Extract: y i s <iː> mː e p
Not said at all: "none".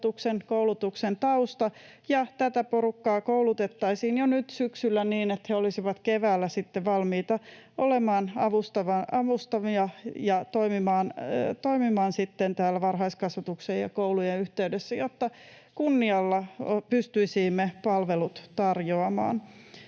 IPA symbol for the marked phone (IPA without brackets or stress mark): iː